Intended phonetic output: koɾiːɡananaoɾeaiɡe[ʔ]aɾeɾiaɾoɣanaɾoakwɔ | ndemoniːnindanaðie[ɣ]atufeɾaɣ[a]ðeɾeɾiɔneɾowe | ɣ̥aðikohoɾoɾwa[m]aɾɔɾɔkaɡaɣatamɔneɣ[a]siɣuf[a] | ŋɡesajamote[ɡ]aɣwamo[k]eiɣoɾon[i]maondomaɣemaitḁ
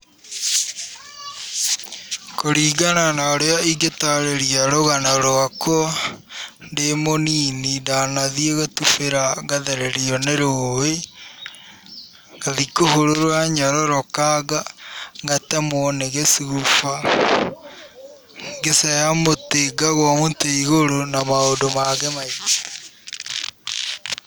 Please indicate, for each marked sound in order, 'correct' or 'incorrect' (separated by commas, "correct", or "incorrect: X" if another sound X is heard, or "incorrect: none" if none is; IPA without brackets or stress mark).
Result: incorrect: t, correct, correct, incorrect: ɲ, incorrect: e, correct, correct, incorrect: t, incorrect: a